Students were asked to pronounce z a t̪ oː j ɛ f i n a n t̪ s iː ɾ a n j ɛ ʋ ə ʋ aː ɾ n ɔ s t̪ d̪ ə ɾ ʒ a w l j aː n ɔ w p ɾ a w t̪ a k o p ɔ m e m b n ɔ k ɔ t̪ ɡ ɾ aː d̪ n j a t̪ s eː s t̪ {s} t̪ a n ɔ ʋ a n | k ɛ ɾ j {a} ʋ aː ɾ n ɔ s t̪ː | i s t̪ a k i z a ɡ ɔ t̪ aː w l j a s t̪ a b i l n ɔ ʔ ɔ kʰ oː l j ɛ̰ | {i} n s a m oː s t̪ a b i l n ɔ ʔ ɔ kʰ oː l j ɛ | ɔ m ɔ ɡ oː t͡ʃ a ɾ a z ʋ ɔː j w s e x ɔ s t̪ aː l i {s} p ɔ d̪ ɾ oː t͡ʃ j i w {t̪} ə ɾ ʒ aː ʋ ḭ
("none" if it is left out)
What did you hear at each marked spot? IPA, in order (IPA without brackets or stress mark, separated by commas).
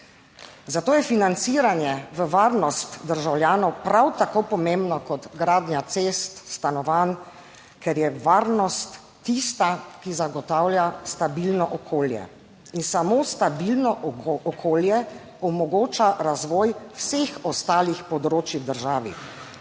s, ɛ, i, x, d̪